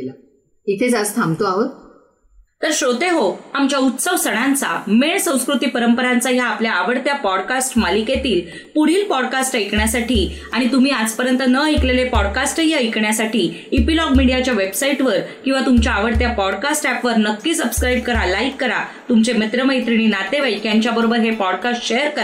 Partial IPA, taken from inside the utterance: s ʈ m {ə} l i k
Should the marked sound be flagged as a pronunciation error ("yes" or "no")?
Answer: yes